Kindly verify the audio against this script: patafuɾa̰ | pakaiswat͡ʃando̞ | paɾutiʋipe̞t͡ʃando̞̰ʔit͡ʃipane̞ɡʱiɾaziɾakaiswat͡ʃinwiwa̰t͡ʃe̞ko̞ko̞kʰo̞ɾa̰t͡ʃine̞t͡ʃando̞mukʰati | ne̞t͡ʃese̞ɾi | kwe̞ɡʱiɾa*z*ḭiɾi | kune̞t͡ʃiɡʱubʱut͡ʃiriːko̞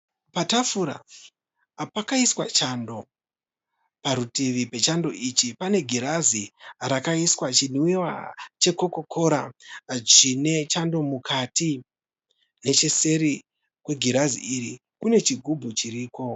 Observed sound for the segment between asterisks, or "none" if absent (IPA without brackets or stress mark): z